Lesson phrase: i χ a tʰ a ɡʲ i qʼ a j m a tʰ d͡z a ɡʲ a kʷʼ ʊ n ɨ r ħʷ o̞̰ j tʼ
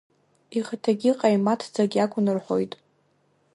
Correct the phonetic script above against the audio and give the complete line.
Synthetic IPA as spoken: i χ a tʰ a ɡʲ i qʼ a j m a tʰ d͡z a ɡʲ a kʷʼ ʊ n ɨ r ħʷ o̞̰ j tʼ